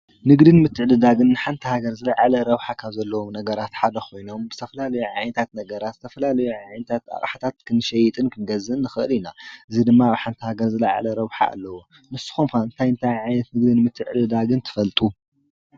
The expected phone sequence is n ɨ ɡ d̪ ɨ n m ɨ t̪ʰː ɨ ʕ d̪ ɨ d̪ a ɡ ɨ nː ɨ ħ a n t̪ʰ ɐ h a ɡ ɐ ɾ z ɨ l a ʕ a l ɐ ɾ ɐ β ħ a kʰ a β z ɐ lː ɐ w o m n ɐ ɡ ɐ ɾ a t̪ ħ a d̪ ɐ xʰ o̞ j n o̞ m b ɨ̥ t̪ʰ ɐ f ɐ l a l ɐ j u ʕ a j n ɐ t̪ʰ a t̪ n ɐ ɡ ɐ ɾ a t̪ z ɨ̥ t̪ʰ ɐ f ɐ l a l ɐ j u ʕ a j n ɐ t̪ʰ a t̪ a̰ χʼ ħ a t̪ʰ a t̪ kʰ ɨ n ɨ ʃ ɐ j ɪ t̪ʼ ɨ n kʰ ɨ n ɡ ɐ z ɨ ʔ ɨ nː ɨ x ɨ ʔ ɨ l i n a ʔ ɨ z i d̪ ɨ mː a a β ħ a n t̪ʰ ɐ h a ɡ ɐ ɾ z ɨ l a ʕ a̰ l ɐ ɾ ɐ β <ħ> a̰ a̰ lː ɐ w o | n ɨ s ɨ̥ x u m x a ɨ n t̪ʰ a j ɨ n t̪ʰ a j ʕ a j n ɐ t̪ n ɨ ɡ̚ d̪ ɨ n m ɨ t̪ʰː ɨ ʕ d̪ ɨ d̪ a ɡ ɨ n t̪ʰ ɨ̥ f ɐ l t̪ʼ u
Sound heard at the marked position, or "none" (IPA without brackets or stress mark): ħ